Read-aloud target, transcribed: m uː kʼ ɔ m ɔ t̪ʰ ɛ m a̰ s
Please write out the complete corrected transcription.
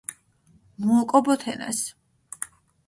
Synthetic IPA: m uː kʼ ɔ b ɔ t̪ʰ ɛ n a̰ s